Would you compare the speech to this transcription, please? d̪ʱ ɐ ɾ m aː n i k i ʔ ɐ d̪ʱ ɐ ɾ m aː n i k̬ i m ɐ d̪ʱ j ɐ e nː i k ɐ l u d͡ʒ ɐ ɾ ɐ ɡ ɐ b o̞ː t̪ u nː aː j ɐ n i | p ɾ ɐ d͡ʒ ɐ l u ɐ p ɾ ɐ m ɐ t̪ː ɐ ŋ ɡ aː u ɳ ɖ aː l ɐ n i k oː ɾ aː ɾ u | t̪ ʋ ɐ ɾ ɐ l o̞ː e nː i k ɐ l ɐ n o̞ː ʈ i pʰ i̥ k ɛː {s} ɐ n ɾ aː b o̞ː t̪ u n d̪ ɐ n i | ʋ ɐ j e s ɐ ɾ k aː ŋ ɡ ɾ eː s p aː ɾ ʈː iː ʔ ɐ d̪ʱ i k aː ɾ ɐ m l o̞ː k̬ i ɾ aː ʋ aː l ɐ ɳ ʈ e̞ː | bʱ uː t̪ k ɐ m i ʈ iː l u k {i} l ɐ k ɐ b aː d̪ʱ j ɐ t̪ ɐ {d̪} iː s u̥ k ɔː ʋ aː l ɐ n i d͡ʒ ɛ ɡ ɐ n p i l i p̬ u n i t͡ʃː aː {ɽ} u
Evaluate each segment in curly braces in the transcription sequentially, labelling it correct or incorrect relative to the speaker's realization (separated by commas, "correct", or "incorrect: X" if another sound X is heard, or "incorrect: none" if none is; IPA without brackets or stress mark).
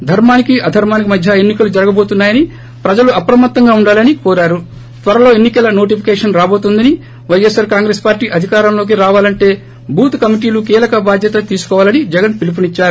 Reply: incorrect: ʂ, incorrect: iː, incorrect: t̪, incorrect: ɾ